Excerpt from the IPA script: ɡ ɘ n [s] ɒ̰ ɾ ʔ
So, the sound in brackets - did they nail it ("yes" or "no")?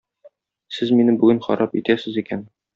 no